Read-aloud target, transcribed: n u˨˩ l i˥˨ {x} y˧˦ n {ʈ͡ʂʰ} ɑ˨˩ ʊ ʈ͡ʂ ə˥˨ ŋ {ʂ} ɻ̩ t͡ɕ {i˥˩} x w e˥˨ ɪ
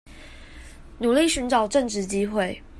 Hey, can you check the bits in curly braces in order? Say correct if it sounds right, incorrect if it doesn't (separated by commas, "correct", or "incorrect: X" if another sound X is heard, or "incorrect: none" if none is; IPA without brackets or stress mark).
incorrect: ɕ, incorrect: ʈ͡ʂ, incorrect: ʈ͡ʂ, incorrect: i˥